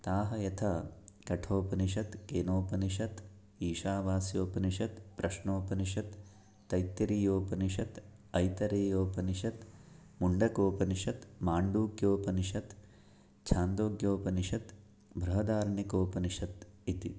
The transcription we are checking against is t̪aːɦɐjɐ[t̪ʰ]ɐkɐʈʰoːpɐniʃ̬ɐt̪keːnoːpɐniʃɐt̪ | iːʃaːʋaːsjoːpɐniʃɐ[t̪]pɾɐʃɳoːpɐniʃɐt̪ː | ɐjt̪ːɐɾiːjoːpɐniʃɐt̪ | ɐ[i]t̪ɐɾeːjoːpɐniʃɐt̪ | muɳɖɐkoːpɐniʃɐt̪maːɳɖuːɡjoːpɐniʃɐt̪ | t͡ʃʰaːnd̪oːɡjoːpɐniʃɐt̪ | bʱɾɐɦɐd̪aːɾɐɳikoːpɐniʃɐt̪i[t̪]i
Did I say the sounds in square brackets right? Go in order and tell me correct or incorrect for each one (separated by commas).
correct, correct, incorrect, correct